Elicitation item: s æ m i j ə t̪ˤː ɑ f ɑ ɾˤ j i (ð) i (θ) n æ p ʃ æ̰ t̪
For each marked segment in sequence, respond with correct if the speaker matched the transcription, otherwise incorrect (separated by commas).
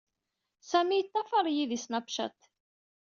correct, incorrect